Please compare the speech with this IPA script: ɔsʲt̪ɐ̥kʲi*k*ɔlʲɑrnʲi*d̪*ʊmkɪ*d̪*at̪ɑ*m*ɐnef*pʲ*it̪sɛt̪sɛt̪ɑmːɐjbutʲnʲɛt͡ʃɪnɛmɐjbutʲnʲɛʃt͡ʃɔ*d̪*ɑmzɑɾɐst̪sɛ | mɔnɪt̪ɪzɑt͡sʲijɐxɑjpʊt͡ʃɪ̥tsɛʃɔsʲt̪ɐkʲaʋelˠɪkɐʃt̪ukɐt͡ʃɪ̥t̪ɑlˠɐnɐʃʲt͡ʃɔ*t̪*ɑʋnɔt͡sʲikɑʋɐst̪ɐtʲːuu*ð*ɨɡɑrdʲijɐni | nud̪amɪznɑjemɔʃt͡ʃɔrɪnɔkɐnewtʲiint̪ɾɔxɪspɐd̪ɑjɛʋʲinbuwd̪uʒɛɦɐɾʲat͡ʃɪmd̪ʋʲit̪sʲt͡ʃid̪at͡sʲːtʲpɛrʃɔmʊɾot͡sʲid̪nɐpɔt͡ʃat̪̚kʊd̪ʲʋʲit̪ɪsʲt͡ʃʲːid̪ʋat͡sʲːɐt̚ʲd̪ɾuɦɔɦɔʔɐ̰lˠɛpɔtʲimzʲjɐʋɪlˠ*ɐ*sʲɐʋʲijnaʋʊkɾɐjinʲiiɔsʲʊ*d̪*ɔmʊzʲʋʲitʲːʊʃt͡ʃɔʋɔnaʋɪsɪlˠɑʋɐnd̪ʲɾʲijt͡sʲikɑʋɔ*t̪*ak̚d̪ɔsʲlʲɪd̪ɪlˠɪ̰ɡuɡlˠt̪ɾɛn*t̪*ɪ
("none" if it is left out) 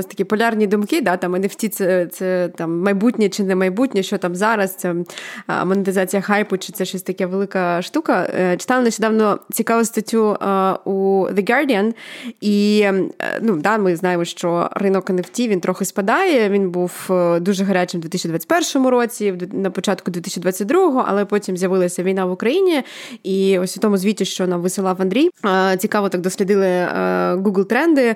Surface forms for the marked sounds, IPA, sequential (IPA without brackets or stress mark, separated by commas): p, d̪, d̪, m, tʲ, t̪, d̪, ð, ɐ, t̪, t̪, d̪